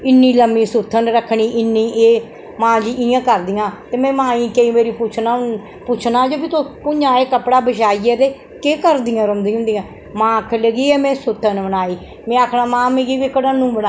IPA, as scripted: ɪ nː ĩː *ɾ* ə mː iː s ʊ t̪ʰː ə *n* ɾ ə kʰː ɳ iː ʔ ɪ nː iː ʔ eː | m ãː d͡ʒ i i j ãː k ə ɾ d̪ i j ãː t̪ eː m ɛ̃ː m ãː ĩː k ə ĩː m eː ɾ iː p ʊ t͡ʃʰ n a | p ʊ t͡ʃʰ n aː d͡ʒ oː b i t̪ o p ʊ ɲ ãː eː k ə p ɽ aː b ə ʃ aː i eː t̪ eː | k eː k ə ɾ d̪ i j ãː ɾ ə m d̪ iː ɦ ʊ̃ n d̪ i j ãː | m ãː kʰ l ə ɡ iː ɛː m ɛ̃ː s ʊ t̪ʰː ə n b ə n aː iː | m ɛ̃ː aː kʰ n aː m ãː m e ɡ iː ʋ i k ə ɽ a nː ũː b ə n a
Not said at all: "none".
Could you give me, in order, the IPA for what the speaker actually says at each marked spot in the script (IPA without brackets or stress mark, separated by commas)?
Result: l, n